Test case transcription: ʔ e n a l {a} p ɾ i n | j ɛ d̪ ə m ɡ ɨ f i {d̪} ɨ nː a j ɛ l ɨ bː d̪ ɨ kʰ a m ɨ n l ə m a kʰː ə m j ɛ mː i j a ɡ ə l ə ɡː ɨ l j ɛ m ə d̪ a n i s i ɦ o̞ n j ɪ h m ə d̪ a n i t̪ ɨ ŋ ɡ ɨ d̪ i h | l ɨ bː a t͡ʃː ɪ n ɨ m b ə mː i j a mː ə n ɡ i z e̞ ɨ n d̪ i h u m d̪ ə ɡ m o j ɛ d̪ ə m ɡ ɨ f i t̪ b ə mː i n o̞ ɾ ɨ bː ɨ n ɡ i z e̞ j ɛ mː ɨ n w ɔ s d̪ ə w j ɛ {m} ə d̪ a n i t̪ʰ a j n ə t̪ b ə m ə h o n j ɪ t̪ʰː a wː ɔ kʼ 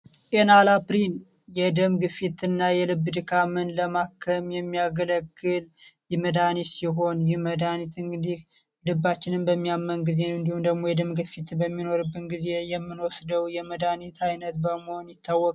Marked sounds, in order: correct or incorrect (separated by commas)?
correct, incorrect, correct